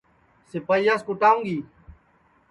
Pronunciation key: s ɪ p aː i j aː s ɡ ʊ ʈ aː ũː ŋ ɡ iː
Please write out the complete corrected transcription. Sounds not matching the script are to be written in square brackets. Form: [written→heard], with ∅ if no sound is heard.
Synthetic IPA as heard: s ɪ p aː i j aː s [ɡ→k] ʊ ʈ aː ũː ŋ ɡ iː